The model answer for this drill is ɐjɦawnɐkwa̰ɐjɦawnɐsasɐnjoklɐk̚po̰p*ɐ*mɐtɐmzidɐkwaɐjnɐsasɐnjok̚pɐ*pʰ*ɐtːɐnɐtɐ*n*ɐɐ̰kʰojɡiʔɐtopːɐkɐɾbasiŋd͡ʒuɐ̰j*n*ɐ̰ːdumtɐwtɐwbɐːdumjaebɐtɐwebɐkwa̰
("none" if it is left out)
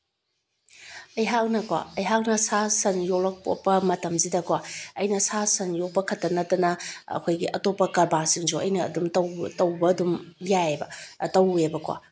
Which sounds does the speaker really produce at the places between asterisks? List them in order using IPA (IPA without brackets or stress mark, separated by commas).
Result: ɐ, kʰ, n, n